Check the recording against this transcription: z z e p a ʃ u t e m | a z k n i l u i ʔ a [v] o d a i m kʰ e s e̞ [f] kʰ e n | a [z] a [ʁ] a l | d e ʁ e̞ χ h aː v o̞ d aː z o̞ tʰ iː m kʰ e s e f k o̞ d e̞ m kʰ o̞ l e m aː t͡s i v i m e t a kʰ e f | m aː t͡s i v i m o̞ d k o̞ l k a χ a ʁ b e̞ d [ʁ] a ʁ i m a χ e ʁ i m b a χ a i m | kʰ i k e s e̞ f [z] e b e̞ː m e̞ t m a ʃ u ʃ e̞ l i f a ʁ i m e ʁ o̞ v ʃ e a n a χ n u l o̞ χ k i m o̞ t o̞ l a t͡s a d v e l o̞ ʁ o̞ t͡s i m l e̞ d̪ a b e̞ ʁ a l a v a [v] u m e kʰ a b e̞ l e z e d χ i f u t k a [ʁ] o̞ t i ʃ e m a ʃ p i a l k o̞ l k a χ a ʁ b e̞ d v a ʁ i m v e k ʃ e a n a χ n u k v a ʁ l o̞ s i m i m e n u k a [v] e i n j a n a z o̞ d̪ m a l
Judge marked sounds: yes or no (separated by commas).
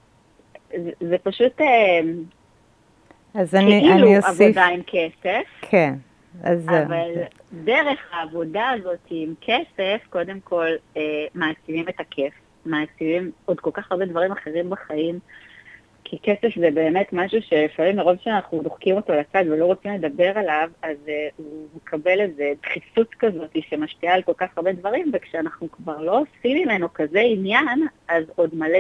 yes, yes, yes, no, no, yes, no, no, no